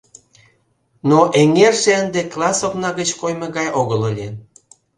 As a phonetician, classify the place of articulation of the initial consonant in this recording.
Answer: alveolar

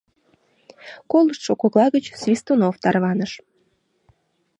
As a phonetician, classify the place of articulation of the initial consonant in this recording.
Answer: velar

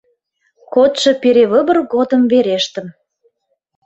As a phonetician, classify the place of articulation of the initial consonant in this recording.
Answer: velar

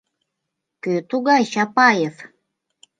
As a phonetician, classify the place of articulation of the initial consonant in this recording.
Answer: velar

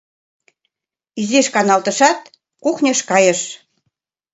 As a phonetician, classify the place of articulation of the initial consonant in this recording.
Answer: alveolar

